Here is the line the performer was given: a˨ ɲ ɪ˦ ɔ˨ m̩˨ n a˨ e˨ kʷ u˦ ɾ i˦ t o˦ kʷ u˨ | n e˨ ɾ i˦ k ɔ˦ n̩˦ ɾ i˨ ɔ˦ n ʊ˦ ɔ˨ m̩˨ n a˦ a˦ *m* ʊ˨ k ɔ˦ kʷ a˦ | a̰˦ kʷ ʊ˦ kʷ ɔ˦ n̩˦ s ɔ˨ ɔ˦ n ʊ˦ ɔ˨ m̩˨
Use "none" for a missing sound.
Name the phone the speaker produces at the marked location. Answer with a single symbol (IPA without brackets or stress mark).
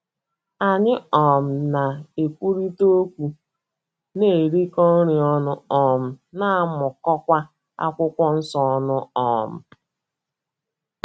m